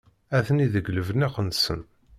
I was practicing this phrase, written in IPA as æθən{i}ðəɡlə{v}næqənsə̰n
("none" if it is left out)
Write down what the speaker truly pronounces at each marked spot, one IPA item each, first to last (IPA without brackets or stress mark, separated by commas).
i, v